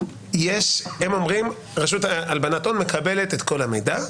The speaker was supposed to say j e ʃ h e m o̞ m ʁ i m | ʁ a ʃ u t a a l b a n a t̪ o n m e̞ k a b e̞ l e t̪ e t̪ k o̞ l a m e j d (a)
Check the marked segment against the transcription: correct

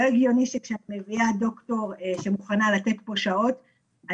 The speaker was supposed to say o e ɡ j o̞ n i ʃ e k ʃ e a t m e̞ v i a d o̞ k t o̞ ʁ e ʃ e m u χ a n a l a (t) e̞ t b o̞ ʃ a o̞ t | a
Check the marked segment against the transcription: correct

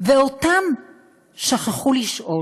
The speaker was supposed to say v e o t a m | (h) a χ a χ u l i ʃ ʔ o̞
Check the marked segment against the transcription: incorrect: ʃ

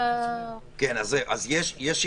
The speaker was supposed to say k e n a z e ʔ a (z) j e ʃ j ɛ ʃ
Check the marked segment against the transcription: correct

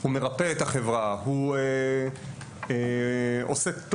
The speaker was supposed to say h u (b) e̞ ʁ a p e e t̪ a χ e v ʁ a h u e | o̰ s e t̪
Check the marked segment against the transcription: incorrect: m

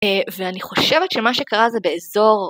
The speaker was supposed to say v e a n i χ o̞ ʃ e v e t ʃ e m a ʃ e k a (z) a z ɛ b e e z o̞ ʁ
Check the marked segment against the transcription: incorrect: ʁ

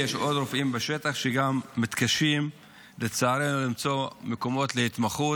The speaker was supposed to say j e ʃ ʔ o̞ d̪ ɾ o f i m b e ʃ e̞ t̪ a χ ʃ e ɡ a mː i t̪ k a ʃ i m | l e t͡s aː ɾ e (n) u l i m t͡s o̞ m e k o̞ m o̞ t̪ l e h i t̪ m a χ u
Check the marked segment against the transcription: correct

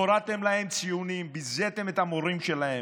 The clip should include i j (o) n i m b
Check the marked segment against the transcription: incorrect: u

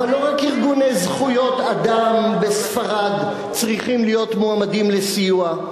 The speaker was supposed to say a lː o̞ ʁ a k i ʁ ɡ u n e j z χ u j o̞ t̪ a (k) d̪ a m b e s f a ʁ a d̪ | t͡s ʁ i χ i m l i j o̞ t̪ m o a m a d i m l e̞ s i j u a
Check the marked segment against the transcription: incorrect: none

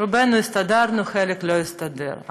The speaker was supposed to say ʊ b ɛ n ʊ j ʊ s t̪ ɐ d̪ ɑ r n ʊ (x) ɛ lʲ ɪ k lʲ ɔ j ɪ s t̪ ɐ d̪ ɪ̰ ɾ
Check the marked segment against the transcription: correct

